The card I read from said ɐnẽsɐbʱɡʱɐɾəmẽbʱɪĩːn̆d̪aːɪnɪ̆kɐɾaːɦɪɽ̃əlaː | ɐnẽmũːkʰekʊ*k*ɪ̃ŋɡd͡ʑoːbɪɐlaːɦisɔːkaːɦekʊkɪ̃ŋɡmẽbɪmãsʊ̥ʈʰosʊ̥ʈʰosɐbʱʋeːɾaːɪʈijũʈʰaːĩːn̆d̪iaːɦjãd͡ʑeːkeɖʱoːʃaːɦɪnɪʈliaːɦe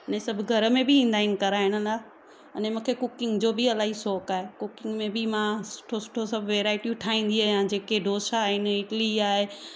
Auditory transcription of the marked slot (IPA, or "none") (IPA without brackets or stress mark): k